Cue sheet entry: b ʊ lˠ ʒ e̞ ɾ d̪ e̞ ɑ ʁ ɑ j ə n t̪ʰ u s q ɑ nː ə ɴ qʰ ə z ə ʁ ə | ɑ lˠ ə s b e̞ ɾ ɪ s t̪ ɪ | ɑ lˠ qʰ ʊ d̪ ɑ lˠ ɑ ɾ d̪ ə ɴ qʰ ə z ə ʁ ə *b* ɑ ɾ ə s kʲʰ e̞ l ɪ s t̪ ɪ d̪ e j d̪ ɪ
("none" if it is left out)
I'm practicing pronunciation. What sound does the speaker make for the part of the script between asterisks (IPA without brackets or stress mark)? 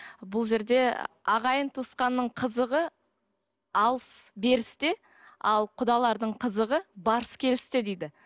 b